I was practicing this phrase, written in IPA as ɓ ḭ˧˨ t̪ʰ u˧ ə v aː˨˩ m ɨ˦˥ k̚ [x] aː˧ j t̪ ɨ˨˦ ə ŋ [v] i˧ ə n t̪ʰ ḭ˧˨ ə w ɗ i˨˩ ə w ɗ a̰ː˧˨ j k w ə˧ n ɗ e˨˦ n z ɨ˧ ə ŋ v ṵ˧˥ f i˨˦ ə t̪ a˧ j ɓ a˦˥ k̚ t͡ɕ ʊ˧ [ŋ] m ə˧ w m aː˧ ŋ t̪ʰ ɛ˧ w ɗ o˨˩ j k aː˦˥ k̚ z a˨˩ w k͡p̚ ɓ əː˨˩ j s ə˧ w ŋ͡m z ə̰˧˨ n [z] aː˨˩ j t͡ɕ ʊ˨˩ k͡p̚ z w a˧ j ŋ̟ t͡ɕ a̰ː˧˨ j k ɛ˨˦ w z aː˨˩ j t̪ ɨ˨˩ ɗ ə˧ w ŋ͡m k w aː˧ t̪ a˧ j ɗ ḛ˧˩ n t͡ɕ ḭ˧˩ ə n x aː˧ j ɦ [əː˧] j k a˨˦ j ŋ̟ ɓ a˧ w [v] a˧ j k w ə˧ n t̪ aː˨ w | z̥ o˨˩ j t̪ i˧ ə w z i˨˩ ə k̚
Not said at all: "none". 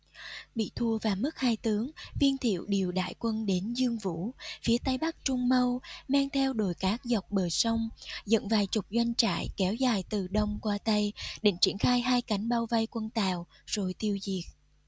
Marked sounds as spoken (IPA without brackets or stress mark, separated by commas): h, v, ŋ͡m, v, aː˧, v